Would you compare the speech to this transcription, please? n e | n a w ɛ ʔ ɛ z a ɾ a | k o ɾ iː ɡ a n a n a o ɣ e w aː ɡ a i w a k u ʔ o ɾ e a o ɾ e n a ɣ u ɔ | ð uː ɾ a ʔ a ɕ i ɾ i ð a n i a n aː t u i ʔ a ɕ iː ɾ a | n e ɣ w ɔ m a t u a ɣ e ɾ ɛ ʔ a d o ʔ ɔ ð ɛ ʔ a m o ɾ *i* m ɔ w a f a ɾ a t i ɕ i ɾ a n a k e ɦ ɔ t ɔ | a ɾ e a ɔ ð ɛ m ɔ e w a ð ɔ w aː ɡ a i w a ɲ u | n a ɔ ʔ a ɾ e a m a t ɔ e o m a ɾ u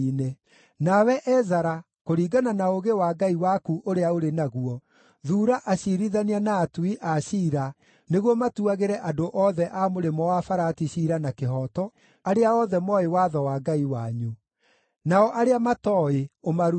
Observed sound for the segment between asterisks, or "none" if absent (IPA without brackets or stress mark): e